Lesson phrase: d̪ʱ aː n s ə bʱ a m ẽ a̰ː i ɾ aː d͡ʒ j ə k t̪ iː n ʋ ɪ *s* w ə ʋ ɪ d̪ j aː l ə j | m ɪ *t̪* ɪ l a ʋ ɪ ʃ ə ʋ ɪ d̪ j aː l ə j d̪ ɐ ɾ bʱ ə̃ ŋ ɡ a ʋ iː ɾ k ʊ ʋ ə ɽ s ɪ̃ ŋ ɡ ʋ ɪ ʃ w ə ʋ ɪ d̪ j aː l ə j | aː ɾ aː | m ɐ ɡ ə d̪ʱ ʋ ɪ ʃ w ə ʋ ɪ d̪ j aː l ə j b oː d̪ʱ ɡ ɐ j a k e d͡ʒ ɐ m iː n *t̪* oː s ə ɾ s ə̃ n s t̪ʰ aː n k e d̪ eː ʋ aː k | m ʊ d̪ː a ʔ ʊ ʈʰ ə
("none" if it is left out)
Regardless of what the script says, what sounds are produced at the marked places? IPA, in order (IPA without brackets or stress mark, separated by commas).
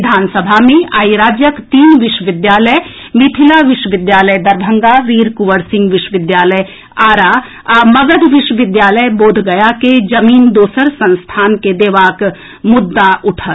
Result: ʃ, t̪ʰ, d̪